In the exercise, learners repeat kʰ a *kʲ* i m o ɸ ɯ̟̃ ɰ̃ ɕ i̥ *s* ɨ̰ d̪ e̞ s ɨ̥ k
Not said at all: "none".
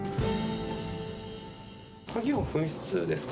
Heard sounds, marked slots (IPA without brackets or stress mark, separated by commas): ɡʲ, t͡s